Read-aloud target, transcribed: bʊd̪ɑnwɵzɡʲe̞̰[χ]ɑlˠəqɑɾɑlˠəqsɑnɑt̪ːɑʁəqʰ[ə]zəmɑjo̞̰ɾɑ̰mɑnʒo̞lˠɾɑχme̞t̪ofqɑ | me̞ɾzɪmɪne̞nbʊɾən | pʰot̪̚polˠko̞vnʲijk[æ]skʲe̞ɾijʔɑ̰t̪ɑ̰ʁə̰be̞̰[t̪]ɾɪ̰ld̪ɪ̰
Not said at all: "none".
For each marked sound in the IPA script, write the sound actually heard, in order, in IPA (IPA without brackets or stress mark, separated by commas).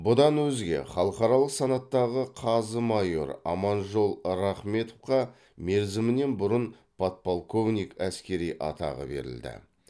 χ, ɑ, æ, none